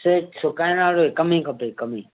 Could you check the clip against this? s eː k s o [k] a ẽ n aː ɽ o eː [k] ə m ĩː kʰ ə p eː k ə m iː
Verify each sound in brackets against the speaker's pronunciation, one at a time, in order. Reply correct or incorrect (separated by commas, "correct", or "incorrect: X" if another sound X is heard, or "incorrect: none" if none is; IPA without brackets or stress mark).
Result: correct, correct